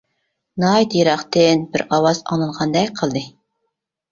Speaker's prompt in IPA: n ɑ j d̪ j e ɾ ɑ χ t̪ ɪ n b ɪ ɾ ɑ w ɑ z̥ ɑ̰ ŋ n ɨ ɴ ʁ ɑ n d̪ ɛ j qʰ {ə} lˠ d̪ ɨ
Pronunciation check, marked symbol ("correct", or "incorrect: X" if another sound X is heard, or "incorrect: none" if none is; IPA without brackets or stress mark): correct